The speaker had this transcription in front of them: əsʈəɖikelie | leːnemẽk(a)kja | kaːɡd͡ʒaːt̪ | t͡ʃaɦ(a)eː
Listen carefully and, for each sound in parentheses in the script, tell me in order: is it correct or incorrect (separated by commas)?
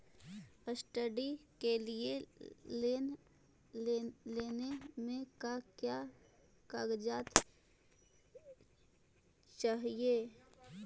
correct, incorrect